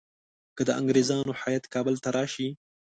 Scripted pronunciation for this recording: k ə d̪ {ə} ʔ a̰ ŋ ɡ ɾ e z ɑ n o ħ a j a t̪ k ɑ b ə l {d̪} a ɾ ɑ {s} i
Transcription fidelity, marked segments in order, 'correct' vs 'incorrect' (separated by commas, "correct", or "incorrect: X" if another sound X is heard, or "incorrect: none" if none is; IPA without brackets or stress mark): correct, incorrect: t̪, incorrect: ʃ